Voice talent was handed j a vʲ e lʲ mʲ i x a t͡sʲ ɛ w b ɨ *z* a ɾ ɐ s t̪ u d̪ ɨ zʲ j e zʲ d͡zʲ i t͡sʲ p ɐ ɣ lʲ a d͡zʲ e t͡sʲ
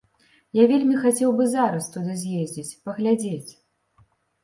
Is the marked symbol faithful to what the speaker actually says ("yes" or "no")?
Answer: yes